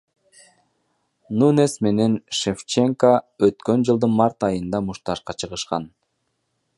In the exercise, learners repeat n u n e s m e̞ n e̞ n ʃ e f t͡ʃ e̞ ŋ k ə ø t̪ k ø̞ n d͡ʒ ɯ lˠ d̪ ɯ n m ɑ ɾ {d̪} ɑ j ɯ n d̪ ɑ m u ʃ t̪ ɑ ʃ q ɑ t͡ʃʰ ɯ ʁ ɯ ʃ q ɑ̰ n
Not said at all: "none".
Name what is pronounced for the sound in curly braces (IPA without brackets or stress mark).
t̪